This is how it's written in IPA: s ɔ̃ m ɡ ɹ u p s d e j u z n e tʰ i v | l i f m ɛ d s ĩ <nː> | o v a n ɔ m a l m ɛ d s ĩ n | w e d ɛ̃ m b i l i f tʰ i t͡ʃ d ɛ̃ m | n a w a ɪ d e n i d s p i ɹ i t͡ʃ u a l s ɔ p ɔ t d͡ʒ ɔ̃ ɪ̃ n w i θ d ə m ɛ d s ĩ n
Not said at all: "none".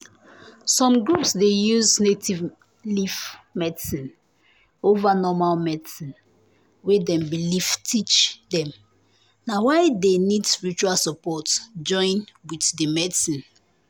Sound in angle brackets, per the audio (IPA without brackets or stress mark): n